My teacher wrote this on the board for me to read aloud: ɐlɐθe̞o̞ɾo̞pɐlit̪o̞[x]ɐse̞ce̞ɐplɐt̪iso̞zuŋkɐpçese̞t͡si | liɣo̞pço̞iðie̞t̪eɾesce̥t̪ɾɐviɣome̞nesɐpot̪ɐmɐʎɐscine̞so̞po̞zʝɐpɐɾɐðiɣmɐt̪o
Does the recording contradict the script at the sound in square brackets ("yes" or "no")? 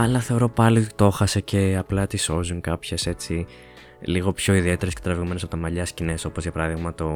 no